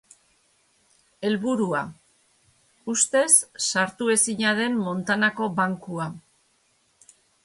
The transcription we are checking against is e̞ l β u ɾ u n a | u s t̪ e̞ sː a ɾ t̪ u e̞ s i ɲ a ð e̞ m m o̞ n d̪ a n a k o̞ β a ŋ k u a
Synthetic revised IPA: e̞ l β u ɾ u a | u s t̪ e̞ sː a ɾ t̪ u e̞ s i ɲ a ð e̞ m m o̞ n t̪ a n a k o̞ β a ŋ k u a